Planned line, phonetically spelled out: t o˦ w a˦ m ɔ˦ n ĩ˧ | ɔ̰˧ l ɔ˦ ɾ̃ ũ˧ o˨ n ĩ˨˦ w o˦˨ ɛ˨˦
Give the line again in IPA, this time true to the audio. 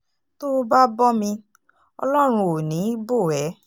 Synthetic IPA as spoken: t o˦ b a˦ b ɔ˦ m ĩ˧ | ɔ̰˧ l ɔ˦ ɾ̃ ũ˧ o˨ n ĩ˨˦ b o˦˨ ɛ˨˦

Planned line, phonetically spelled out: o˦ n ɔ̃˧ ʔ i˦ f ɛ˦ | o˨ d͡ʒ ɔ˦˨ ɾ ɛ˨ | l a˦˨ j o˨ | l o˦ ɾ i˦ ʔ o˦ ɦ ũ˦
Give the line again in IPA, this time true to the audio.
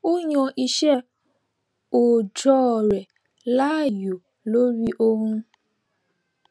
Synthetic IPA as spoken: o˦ ɲ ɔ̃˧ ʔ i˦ ʃ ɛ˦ | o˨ d͡ʒ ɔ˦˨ ɾ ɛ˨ | l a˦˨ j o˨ | l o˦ ɾ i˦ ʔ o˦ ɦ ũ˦

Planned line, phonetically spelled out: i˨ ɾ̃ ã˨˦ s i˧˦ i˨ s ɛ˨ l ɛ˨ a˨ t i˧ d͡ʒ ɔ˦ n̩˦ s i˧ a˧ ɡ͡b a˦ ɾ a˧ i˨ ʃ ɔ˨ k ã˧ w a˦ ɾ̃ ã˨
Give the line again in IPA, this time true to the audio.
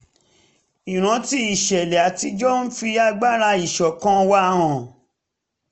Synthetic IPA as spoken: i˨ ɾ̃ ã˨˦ t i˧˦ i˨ ʃ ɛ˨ l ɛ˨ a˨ t i˧ d͡ʒ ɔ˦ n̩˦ f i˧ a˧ ɡ͡b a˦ ɾ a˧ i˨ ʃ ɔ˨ k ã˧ w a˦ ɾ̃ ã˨

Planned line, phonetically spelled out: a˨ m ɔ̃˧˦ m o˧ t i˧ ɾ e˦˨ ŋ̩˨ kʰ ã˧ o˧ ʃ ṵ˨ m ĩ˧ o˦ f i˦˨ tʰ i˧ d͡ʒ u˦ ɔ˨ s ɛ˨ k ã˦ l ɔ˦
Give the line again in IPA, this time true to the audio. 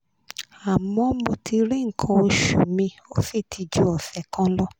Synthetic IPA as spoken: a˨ m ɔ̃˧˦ m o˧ t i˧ ɾ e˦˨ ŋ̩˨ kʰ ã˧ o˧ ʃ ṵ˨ m ĩ˧ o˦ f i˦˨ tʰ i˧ d͡ʒ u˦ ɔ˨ f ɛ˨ k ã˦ l ɔ˦

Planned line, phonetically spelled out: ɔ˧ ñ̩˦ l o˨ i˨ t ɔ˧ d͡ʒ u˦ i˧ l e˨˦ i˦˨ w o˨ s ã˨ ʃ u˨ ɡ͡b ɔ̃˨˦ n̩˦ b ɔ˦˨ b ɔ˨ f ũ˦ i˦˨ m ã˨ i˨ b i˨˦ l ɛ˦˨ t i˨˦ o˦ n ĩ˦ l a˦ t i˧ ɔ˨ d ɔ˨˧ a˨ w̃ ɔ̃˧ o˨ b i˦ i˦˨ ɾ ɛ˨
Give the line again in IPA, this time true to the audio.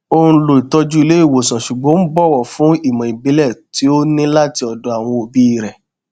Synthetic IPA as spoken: o˧ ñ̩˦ l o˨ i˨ t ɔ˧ d͡ʒ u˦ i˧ l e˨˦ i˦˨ w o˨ s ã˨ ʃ u˨ ɡ͡b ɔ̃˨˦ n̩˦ b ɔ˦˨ w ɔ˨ f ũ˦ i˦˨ m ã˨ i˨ b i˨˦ l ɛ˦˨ t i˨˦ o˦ n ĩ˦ l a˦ t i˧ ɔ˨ d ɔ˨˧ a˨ w̃ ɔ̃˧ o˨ b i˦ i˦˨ ɾ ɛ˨

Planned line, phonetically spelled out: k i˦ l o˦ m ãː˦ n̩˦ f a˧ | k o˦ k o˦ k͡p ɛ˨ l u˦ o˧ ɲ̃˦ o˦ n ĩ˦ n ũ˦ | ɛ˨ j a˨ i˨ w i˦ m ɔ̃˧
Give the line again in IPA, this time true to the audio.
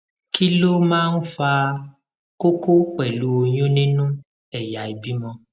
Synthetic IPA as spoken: k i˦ l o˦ m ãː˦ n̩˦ f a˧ | k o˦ k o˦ k͡p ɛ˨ l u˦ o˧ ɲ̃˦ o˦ n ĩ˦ n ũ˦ | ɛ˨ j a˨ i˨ b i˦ m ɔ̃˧

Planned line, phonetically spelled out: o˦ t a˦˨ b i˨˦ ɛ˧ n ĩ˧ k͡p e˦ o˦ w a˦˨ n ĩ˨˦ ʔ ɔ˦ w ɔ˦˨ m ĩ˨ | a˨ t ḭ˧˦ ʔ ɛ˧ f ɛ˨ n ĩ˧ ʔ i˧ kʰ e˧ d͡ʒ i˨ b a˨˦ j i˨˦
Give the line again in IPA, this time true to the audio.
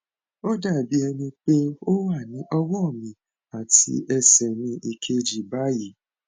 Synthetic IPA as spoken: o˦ d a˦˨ b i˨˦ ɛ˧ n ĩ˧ k͡p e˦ o˦ w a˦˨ n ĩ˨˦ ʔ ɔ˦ w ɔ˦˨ m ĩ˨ | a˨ t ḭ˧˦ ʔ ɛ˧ s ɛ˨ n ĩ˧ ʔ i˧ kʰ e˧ d͡ʒ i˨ b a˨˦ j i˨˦

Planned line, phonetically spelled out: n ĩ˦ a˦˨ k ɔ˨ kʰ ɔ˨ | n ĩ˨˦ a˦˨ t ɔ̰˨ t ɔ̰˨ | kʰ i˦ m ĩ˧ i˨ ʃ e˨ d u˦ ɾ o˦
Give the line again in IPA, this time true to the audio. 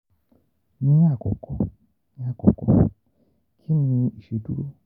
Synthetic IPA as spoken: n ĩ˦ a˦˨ k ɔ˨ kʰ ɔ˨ | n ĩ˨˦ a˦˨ k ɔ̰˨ k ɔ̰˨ | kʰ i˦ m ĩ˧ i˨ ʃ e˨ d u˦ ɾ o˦

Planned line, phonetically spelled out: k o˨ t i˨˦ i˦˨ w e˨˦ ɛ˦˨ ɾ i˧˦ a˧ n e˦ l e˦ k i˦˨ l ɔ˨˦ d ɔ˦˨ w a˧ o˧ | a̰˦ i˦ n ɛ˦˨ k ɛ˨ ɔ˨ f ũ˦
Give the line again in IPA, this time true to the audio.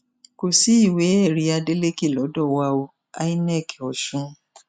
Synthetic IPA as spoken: k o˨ s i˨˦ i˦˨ w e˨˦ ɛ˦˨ ɾ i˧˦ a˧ d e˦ l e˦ k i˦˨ l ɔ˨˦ d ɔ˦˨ w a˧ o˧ | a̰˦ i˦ n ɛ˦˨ k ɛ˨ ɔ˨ ʃ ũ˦

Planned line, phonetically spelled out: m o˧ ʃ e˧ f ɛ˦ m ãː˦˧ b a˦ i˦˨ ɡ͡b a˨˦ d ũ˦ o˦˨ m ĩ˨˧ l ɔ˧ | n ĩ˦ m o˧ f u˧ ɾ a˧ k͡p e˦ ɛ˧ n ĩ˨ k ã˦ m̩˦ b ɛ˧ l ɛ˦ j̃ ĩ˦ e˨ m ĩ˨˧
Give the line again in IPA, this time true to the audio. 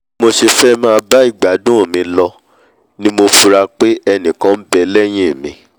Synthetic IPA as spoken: m o˧ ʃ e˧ f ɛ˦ m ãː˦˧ b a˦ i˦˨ ɡ͡b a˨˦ d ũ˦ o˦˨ m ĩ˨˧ l ɔ˧ | n ĩ˦ m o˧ f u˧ ɾ a˧ k͡p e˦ ɛ˧ n ĩ˨ k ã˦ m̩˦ b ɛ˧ l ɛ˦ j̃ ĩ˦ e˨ m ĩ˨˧

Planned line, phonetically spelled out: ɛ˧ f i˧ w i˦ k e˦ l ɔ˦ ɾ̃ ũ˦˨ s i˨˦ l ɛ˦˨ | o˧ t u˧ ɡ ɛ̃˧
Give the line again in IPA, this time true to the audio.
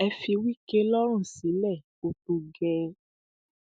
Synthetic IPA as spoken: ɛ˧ f i˧ w i˦ k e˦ l ɔ˦ ɾ̃ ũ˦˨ s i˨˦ l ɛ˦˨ | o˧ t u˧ ɡ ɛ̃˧

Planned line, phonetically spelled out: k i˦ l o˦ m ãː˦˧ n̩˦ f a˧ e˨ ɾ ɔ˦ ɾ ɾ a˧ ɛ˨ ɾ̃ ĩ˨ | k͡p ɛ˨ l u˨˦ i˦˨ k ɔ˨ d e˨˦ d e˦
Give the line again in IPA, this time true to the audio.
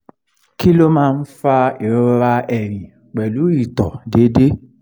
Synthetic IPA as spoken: k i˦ l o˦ m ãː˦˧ n̩˦ f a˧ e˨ ɾ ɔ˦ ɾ ɾ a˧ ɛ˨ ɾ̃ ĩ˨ | k͡p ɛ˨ l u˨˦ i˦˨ t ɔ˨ d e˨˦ d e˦

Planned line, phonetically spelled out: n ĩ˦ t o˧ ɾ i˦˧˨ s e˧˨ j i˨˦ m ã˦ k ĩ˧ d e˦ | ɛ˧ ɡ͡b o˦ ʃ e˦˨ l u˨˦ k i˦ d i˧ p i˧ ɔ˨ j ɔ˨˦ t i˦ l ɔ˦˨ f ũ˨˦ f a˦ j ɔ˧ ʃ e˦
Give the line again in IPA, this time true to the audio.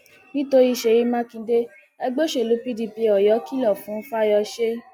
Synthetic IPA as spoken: n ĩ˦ t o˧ ɾ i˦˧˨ ʃ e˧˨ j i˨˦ m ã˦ k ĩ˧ d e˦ | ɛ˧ ɡ͡b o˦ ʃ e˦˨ l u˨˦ p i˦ d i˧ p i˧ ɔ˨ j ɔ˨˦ k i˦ l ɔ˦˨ f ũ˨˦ f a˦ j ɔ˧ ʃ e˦

